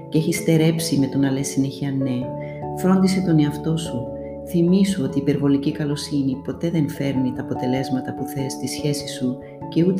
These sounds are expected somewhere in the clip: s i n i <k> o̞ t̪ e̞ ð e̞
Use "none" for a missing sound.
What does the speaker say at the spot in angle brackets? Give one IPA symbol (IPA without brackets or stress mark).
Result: p